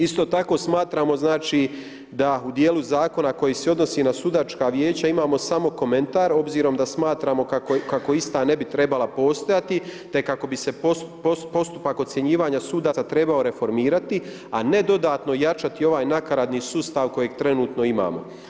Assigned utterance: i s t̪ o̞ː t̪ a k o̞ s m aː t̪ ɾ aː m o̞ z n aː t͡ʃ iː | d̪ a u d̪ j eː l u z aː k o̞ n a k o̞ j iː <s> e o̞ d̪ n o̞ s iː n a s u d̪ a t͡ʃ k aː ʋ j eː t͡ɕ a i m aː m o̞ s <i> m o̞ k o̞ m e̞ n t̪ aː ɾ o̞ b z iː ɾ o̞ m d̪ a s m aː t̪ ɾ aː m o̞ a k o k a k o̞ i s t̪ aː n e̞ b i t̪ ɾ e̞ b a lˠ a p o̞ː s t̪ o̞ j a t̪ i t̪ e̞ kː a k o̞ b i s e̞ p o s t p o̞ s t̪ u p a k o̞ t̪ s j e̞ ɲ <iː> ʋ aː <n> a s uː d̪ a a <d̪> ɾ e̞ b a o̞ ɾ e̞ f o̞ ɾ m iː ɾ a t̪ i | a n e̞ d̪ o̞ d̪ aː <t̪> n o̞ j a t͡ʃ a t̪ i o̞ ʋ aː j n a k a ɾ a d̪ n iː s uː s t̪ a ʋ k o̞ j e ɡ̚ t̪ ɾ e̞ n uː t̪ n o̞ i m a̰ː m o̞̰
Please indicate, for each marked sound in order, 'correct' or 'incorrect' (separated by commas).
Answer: correct, incorrect, correct, incorrect, incorrect, correct